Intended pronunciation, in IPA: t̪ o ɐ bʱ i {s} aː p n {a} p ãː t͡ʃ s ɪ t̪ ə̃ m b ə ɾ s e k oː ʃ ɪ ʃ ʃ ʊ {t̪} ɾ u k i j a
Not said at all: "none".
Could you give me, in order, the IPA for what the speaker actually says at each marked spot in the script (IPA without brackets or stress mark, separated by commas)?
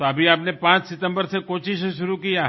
none, e, none